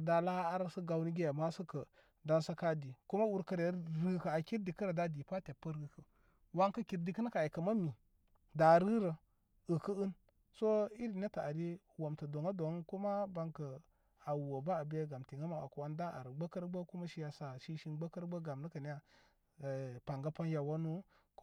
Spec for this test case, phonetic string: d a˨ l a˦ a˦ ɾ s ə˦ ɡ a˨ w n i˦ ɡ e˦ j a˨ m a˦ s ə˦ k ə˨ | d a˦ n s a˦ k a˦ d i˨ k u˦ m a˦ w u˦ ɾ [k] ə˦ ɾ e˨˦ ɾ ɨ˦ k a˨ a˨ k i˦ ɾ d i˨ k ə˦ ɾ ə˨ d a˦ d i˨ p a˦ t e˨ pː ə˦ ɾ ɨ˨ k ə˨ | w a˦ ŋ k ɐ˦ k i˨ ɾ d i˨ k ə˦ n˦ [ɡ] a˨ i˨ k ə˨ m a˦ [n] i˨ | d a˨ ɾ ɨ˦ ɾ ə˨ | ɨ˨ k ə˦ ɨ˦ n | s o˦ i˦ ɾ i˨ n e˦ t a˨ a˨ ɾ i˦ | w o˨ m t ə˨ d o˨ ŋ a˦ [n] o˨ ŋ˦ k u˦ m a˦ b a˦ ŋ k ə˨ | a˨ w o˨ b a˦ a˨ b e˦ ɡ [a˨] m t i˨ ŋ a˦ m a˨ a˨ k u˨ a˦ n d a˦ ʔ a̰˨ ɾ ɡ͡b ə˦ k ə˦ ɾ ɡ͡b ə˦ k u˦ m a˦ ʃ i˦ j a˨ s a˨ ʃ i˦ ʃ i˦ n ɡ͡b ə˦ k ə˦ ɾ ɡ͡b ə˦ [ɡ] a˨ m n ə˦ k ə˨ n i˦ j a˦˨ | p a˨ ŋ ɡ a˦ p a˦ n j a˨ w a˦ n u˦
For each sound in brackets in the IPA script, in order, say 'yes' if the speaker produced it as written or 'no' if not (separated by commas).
yes, no, no, no, yes, yes